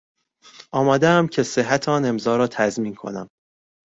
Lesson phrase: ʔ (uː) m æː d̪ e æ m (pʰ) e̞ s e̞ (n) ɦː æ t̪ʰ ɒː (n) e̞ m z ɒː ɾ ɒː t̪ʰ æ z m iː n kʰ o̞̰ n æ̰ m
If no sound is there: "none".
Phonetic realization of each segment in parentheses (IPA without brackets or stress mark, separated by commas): ɒː, cʰ, none, n